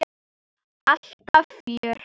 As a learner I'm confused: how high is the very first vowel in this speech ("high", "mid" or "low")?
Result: low